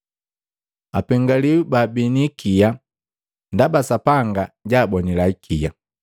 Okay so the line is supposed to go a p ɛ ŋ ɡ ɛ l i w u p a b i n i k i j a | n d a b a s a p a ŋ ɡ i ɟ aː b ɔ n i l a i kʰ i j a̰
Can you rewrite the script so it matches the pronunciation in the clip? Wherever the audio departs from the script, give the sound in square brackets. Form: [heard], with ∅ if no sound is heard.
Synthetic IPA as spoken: a p ɛ ŋ ɡ [a] l i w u [b] a b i n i k i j a | n d a b a s a p a ŋ ɡ [a] ɟ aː b ɔ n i l a i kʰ i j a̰